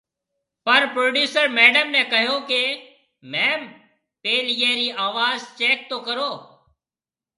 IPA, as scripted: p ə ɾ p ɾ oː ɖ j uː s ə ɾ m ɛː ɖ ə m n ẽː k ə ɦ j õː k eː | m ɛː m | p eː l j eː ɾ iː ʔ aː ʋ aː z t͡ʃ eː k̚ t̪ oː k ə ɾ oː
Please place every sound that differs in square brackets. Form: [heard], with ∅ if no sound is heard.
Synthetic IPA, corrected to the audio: p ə ɾ p ɾ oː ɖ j uː s ə ɾ m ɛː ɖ ə m n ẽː k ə ɦ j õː k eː | m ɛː m | p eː l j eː ɾ iː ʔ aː ʋ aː z t͡ʃ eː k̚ t̪ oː k ə ɾ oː